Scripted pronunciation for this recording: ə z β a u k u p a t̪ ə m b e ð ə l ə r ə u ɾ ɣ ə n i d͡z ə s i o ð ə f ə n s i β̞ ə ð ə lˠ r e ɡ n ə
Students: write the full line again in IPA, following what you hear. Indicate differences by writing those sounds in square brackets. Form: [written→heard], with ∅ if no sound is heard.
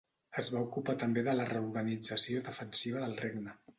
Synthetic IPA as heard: ə z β a u k u p a t̪ ə m b e ð ə l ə r ə u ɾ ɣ ə n i d͡z ə s i o ð ə f ə n s i β̞ ə ð ə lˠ r e ɡ n ə